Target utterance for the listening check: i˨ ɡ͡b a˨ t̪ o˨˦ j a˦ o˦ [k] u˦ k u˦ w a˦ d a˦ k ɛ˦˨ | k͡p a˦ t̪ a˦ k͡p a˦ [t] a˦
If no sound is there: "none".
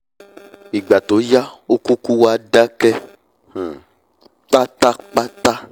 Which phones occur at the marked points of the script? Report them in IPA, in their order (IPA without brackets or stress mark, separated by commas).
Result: k, t